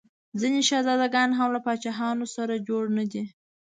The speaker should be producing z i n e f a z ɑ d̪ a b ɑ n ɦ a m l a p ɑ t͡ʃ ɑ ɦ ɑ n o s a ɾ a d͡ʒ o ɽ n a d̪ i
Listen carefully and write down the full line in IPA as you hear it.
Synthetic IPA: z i n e ʃ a z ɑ d̪ a ɡ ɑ n ɦ a m l a p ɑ t͡ʃ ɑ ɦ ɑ n o s a ɾ a d͡ʒ o ɽ n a d̪ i